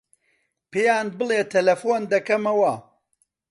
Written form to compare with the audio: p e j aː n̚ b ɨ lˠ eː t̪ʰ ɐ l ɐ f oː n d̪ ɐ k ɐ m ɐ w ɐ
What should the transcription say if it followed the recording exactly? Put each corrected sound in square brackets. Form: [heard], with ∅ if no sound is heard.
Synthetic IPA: p e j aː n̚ b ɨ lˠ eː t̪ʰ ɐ l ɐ f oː n d̪ ɐ k ɐ m ɐ w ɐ